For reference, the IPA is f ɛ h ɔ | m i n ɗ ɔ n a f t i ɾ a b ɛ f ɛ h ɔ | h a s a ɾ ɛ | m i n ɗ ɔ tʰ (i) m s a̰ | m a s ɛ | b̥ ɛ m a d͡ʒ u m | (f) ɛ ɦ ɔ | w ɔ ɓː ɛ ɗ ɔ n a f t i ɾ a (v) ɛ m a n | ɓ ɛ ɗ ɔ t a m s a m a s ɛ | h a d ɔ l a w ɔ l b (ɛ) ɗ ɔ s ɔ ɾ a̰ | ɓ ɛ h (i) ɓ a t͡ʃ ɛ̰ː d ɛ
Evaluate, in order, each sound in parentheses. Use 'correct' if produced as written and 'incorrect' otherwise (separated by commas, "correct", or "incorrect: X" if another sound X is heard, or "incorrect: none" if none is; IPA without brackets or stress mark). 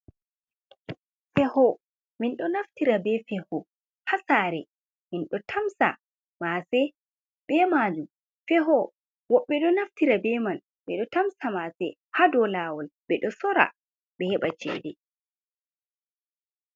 incorrect: a, correct, incorrect: b, correct, incorrect: ɛ